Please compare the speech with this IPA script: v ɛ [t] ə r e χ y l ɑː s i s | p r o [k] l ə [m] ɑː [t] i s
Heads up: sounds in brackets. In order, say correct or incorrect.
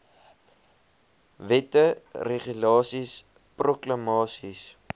correct, correct, correct, incorrect: s

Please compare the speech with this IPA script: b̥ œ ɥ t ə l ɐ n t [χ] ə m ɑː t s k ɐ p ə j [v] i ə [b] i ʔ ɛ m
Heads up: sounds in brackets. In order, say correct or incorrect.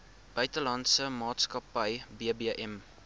incorrect: s, incorrect: b, correct

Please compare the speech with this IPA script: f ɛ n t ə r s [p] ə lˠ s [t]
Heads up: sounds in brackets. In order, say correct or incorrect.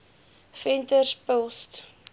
correct, correct

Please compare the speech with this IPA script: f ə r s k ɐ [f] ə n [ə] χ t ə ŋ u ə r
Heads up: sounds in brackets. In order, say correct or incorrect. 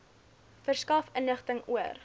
correct, correct

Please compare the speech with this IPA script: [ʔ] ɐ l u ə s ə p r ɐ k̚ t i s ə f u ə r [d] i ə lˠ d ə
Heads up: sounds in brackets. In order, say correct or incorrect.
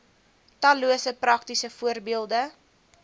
incorrect: t, incorrect: b

